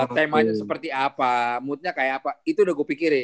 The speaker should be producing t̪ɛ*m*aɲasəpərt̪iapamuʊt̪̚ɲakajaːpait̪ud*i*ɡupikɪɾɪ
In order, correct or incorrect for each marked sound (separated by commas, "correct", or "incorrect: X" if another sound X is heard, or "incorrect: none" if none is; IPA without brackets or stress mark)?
correct, incorrect: a